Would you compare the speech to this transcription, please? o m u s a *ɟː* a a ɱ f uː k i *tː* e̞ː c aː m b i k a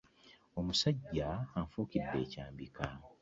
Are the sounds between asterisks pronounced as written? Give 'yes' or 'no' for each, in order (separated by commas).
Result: yes, no